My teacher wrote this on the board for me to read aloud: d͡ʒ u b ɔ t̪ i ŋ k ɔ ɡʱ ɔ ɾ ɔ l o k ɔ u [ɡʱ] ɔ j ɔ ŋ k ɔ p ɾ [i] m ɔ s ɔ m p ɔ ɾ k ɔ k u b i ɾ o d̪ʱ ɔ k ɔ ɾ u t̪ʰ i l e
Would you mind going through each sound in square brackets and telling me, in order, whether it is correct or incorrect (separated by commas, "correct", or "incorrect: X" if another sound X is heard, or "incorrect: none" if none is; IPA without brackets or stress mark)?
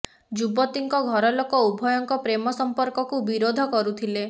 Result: incorrect: bʱ, incorrect: e